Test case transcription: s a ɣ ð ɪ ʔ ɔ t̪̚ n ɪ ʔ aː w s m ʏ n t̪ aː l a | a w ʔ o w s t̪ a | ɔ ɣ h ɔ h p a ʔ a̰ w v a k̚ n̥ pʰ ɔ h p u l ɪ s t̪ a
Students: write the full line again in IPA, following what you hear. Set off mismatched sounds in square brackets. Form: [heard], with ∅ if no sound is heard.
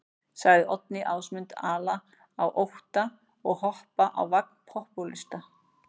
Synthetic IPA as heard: s a ɣ ð ɪ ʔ ɔ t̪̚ n ɪ ʔ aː w s m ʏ n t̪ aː l a | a w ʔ o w [h] t̪ a | ɔ ɣ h ɔ h p a ʔ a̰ w v a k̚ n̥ pʰ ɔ h p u l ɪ s t̪ a